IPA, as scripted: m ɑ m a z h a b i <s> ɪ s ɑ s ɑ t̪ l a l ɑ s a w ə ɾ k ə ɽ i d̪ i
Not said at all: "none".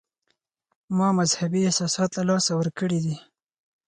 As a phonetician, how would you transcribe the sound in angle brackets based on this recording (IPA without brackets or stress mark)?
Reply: none